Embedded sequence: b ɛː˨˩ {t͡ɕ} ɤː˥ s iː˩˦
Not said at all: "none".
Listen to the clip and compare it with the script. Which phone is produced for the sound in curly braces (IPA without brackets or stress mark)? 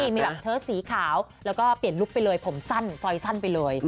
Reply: t͡ɕʰ